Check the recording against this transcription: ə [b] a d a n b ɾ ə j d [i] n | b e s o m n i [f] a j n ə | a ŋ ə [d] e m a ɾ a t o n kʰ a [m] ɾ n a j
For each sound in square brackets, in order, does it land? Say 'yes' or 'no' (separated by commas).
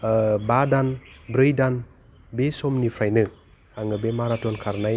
yes, no, yes, no, no